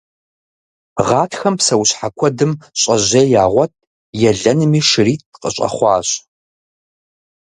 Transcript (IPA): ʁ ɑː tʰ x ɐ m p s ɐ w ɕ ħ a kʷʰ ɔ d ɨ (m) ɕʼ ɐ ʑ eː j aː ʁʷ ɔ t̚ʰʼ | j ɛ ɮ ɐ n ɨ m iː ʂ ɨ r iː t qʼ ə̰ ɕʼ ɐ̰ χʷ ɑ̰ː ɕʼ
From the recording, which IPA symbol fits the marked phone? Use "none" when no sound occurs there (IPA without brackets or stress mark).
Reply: m